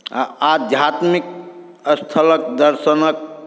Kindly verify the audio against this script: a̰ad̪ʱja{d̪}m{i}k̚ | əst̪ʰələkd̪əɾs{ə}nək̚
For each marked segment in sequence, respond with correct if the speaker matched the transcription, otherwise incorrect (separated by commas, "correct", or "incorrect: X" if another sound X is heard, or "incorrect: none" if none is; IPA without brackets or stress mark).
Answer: incorrect: t̪, correct, correct